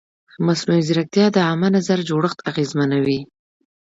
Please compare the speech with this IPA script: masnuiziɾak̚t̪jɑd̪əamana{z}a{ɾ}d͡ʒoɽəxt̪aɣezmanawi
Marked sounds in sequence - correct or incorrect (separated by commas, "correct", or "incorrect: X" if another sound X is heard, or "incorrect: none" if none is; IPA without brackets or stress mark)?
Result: correct, correct